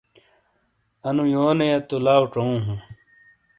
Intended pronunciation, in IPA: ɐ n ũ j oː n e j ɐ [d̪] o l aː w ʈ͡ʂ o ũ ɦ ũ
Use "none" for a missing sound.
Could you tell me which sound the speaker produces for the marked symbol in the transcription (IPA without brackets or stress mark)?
t̪